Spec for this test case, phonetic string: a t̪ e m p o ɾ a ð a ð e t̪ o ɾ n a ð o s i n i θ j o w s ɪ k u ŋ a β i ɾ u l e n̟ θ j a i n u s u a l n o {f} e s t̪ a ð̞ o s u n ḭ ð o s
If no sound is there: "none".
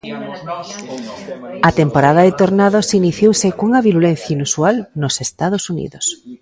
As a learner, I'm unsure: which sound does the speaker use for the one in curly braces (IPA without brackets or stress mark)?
s